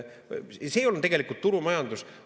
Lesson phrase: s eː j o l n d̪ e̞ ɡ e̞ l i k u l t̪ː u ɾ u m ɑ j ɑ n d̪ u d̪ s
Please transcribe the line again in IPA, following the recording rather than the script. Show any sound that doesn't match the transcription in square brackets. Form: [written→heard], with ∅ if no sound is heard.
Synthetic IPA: s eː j o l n [d̪→t̪] e̞ ɡ e̞ l i k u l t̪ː u ɾ u m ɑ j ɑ n d̪ u [d̪→∅] s